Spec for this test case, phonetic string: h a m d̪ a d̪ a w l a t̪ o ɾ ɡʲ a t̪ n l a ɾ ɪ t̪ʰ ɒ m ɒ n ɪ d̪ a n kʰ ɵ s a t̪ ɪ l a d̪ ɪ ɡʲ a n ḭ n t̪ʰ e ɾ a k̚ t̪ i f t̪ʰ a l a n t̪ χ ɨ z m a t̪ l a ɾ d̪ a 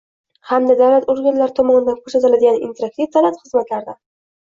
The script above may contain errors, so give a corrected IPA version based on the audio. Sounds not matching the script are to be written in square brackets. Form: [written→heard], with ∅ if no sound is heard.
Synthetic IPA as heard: h a m d̪ a d̪ a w l a t̪ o ɾ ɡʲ a [t̪→∅] n l a ɾ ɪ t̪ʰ ɒ m ɒ n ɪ d̪ a n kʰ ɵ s a t̪ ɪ l a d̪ ɪ ɡʲ a n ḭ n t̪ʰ e ɾ a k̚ t̪ i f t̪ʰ a l a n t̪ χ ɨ z m a t̪ l a ɾ d̪ a